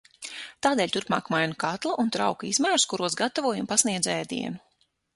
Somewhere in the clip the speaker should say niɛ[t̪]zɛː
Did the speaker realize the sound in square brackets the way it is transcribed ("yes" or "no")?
no